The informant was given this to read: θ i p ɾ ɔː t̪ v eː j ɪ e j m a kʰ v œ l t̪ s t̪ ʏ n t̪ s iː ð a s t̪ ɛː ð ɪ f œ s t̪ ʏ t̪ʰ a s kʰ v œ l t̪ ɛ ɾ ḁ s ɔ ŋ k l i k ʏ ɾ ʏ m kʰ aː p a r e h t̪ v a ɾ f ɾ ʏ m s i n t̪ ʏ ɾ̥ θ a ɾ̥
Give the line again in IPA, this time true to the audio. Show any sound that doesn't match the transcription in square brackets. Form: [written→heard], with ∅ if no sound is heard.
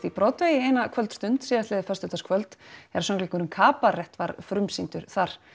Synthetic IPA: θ i p ɾ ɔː t̪ v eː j ɪ e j [m→n] a kʰ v œ l t̪ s t̪ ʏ n t̪ s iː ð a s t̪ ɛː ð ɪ f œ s t̪ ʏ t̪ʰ a s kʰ v œ l t̪ ɛ ɾ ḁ s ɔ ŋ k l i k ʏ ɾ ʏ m kʰ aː p a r [e→ɛ] h t̪ v a ɾ f ɾ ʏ m s i n t̪ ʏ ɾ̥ θ a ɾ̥